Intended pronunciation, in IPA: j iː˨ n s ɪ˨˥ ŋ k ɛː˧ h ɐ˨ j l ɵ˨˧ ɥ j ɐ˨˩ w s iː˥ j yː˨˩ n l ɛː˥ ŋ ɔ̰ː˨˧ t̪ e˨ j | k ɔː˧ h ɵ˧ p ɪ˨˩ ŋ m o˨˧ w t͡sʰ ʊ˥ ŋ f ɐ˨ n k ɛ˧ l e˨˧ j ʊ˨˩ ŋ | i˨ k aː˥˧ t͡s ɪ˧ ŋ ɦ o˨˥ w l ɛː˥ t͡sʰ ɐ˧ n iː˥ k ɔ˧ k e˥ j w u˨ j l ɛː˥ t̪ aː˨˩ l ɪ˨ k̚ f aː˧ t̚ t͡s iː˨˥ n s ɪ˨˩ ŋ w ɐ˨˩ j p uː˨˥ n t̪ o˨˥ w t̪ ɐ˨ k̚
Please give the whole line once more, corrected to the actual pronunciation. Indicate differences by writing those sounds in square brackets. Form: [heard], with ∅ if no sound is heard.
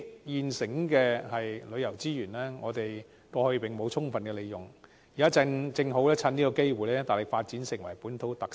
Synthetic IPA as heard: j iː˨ n s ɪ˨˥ ŋ k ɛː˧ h ɐ˨ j l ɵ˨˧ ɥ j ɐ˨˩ w [t͡s] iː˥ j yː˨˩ n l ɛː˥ ŋ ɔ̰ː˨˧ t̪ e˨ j | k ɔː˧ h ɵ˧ p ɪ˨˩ ŋ m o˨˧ w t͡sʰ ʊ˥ ŋ f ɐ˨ n k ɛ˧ l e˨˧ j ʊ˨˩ ŋ | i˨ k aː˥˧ t͡s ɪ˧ ŋ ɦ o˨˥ w l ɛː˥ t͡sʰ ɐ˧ n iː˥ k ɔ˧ k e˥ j w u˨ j l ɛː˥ t̪ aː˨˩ l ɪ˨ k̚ f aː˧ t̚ t͡s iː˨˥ n s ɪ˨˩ ŋ w ɐ˨˩ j p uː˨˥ n [t̪ʰ] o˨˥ w t̪ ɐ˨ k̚